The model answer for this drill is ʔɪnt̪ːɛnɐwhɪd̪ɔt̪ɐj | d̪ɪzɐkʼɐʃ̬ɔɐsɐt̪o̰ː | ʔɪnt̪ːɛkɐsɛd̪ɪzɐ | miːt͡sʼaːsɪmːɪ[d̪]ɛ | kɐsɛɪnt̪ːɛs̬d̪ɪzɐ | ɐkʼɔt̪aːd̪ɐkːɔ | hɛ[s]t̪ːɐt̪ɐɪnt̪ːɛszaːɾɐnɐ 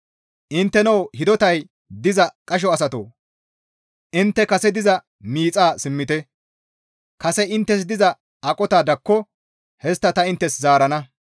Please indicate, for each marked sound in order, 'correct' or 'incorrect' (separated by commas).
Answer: incorrect, correct